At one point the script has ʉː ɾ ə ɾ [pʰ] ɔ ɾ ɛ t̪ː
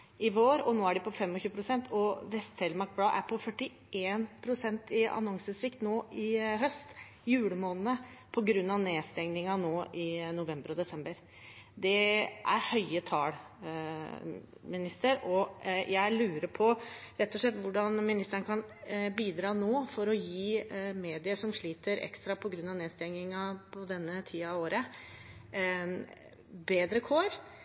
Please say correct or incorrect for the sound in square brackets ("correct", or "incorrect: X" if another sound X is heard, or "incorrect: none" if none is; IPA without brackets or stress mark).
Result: correct